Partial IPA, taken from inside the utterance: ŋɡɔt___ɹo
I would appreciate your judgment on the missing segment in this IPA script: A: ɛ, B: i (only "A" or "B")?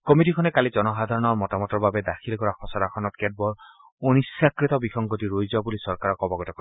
B